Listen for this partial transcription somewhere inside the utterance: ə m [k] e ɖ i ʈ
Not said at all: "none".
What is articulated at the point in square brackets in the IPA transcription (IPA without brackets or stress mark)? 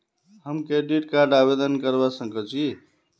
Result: k